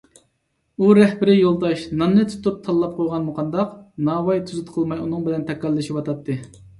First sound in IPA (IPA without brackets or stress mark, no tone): u